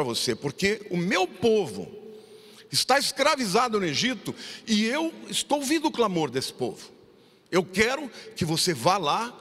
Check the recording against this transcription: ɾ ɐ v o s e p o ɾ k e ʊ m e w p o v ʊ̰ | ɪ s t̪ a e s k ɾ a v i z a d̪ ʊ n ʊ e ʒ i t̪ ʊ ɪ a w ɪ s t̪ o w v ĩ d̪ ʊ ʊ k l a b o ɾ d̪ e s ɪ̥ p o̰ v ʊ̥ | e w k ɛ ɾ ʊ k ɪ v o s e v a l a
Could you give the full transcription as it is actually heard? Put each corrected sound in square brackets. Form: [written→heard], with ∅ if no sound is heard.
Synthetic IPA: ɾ ɐ v o s e p o ɾ k e ʊ m e w p o v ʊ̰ | ɪ s t̪ a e s k ɾ a v i z a d̪ ʊ n ʊ e ʒ i t̪ ʊ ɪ [a→e] w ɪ s t̪ o w v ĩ d̪ ʊ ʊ k l a [b→m] o ɾ d̪ e s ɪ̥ p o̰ v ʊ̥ | e w k ɛ ɾ ʊ k ɪ v o s e v a l a